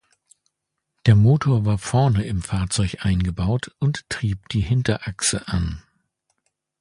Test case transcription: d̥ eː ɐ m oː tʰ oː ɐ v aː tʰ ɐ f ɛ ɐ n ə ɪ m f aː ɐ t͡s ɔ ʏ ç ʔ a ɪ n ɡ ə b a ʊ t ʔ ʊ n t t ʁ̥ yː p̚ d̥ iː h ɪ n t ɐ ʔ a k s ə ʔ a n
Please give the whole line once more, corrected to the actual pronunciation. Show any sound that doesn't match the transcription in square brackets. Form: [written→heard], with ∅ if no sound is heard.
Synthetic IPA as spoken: d̥ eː ɐ m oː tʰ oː ɐ v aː [tʰ→∅] ɐ f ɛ ɐ n ə ɪ m f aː ɐ t͡s ɔ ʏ ç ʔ a ɪ n ɡ ə b a ʊ t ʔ ʊ n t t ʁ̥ [yː→iː] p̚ d̥ iː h ɪ n t ɐ ʔ a k s ə ʔ a n

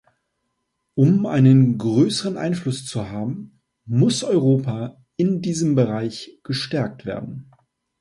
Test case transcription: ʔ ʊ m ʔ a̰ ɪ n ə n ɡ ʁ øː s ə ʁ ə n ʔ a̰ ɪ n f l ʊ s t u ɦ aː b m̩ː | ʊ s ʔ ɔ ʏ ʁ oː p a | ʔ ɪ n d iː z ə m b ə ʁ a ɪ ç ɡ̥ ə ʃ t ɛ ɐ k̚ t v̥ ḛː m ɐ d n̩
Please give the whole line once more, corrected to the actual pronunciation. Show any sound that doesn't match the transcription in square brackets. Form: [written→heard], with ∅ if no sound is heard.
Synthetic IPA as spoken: ʔ ʊ m ʔ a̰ ɪ n ə n ɡ ʁ øː s ə ʁ ə n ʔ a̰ ɪ n f l ʊ s [t→t͡s] u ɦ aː b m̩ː | ʊ s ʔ ɔ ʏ ʁ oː p a | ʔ ɪ n d iː z ə m b ə ʁ a ɪ ç ɡ̥ ə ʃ t ɛ ɐ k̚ t v̥ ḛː [m→∅] ɐ d n̩

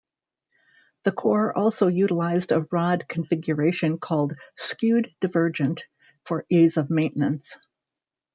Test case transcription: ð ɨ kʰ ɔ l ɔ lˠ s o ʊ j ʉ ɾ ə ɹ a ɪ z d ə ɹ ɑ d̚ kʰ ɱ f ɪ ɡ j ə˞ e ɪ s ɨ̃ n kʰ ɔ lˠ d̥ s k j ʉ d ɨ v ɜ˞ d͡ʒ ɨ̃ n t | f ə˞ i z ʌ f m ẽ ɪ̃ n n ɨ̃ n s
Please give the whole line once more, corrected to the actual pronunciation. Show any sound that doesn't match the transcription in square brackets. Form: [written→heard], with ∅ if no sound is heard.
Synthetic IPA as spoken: ð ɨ kʰ ɔ [l→ɹ] ɔ lˠ s o ʊ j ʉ ɾ ə [ɹ→l] a ɪ z d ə ɹ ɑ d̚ kʰ ɱ f ɪ ɡ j ə˞ e ɪ [s→ʃ] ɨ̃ n kʰ ɔ lˠ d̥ s k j ʉ d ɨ v ɜ˞ d͡ʒ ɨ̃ n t | f ə˞ i z ʌ [f→v] m ẽ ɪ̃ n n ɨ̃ n s

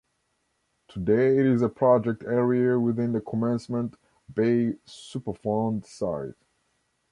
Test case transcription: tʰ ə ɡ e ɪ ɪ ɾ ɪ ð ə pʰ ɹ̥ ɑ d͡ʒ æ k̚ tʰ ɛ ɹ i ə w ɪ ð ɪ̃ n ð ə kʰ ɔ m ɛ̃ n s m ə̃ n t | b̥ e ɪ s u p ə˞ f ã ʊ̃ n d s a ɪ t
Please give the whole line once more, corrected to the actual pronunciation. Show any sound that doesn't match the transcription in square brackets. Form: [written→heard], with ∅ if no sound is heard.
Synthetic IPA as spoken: tʰ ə [ɡ→d] e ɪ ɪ ɾ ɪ [ð→z] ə pʰ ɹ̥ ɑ d͡ʒ [æ→ɛ] k̚ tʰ ɛ ɹ i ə w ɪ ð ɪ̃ n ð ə kʰ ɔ m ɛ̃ n s m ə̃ n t | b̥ e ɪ s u p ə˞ f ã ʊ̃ n d s a ɪ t

